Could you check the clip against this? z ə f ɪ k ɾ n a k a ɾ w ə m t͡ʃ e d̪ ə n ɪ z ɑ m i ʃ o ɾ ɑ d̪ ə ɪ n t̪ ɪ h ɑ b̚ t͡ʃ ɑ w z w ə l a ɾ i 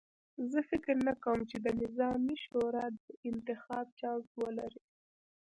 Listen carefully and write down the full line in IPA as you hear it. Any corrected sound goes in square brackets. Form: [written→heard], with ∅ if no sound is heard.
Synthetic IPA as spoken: z ə f ɪ k ɾ n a k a [ɾ→∅] w ə m t͡ʃ e d̪ ə n ɪ z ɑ m i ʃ o ɾ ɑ d̪ ə ɪ n t̪ ɪ [h→x] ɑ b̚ t͡ʃ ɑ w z w ə l a ɾ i